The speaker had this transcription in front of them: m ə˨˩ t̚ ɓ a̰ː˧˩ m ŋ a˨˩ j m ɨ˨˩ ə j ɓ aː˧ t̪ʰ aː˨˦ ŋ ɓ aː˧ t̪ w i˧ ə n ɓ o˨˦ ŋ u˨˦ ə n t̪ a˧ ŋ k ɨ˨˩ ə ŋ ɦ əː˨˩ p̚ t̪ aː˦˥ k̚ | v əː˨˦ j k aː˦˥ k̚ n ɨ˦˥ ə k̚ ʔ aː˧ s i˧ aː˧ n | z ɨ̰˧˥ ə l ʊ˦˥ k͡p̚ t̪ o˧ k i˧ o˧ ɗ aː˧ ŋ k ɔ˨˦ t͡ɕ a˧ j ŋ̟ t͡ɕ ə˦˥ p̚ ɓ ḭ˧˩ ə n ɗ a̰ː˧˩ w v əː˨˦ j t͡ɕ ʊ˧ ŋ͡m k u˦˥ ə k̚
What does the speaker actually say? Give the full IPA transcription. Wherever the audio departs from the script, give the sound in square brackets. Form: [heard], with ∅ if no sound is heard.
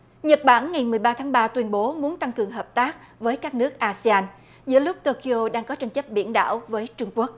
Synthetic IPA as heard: [ɲ] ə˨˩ t̚ ɓ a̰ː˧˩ [n] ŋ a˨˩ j m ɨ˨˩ ə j ɓ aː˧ t̪ʰ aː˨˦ ŋ ɓ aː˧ t̪ w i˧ ə n ɓ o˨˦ [m] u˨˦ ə n t̪ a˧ ŋ k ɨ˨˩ ə ŋ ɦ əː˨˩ p̚ t̪ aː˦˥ k̚ | v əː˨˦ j k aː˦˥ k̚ n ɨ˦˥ ə k̚ ʔ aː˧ s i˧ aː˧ n | z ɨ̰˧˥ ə l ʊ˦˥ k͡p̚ t̪ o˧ k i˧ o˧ ɗ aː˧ ŋ k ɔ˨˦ t͡ɕ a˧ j ŋ̟ t͡ɕ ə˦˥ p̚ ɓ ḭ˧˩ ə n ɗ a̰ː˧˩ w v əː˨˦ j t͡ɕ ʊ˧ ŋ͡m k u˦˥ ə k̚